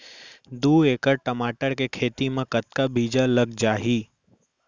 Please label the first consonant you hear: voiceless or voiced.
voiced